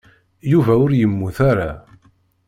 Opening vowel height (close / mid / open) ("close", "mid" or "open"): close